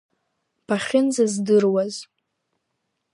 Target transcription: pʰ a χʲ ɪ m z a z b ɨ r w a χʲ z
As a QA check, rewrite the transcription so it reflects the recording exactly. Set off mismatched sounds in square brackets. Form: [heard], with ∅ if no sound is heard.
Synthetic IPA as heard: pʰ a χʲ ɪ [n] z a z [d] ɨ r w a [∅] z